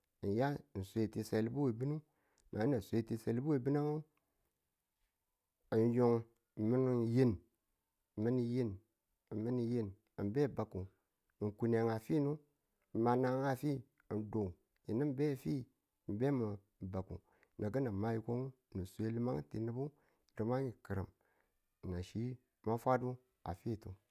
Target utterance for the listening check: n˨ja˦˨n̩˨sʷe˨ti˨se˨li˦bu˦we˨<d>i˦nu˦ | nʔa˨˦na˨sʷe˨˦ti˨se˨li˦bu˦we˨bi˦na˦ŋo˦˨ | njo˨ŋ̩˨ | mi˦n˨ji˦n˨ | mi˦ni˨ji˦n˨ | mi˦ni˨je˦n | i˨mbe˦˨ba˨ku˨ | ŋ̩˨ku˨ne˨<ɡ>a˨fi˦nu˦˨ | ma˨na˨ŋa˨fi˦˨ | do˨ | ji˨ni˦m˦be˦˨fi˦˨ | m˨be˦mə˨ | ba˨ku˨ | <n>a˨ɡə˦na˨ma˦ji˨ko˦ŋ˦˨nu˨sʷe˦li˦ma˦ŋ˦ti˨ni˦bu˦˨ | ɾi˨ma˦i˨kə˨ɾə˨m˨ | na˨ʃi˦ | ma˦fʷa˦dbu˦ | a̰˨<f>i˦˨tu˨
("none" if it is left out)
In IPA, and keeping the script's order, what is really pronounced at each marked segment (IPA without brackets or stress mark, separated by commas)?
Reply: b, ŋ, n, f